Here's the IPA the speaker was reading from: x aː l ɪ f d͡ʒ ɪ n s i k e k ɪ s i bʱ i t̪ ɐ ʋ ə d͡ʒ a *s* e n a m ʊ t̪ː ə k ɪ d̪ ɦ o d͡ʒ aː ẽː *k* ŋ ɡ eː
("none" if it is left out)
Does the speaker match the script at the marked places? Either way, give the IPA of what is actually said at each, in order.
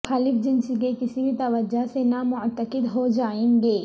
s, none

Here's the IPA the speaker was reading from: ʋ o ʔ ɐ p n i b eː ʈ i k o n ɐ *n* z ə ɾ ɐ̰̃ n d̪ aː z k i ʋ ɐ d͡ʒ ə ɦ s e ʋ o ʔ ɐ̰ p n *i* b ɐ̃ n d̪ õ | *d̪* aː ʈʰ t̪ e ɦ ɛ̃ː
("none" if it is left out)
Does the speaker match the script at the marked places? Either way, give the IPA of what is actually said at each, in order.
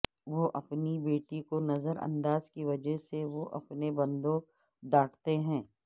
none, e, d̪

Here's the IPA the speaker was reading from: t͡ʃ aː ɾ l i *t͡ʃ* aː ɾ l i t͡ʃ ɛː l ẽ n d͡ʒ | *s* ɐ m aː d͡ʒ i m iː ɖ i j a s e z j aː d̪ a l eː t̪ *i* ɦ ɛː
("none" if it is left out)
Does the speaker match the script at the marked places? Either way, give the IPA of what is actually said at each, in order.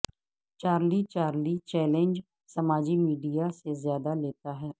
t͡ʃ, s, a

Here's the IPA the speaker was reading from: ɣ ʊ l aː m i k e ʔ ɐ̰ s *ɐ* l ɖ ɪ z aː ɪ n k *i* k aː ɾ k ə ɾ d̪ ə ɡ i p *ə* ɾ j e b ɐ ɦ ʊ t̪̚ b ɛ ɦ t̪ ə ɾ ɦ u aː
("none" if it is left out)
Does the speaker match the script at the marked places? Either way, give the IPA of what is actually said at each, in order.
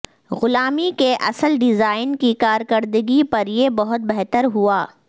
ə, i, ɐ

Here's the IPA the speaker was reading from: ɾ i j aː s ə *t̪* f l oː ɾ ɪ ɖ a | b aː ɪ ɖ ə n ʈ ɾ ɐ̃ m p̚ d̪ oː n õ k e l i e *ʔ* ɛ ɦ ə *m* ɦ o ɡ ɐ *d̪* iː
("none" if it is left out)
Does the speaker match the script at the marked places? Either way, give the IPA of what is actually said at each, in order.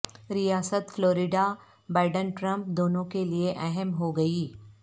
t̪, ʔ, m, none

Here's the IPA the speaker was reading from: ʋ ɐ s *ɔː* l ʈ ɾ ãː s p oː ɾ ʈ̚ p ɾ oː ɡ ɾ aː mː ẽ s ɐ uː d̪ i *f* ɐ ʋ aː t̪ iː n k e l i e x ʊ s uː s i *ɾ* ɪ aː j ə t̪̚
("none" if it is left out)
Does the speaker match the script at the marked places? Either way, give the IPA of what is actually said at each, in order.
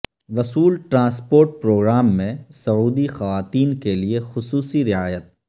uː, x, ɾ

